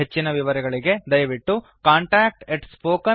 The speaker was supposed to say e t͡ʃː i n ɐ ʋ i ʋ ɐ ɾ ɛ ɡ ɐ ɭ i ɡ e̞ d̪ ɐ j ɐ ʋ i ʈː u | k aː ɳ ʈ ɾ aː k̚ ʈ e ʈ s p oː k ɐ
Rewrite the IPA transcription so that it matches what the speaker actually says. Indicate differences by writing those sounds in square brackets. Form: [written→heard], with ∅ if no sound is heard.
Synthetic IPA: e t͡ʃː i n ɐ ʋ i ʋ ɐ ɾ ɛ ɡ ɐ ɭ i ɡ e̞ d̪ ɐ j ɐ ʋ i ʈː u | k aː ɳ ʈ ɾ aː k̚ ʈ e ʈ s p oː k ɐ